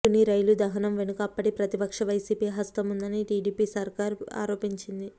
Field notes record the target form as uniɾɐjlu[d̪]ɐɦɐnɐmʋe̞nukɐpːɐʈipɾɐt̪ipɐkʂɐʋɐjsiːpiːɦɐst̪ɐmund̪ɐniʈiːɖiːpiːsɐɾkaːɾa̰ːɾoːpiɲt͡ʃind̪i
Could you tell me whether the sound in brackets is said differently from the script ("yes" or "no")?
no